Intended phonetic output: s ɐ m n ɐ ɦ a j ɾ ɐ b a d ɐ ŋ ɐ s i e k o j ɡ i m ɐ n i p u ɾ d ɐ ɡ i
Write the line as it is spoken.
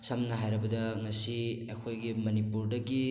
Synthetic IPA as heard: s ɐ m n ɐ ɦ a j ɾ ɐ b ɐ d ɐ ŋ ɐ s i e kʰ o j ɡ i m ɐ n i p u ɾ d ɐ ɡ i

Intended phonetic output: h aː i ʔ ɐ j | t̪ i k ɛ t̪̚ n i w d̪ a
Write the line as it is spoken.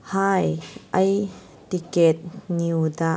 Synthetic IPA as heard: h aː j ʔ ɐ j | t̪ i k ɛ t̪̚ n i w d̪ a

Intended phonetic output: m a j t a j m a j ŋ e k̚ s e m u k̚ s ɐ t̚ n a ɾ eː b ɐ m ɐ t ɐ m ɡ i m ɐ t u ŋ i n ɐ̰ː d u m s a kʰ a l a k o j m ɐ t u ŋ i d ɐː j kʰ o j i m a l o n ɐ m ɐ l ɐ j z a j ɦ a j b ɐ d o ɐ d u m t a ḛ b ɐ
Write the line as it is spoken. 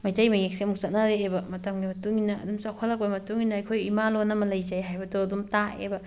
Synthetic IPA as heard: m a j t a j m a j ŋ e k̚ s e m u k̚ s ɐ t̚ n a ɾ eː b ɐ m ɐ t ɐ m ɡ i m ɐ t u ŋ i n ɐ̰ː d u m s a kʰ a l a k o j m ɐ t u ŋ i n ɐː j kʰ o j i m a l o n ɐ m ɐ l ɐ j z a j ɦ a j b ɐ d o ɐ d u m t a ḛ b ɐ

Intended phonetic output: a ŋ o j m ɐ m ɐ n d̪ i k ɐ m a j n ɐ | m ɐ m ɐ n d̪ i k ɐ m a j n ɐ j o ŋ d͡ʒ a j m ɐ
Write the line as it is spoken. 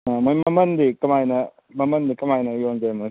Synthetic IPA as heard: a m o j m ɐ m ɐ n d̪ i k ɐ m a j n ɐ | m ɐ m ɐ n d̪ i k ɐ m a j n ɐ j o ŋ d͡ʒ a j m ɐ

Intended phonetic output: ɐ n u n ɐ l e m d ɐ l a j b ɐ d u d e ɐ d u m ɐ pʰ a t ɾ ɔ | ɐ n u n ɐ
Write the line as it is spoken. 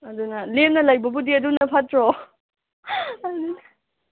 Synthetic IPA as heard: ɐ d u n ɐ l e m n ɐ l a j b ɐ b u d i ɐ d u n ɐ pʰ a t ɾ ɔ | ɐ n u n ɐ

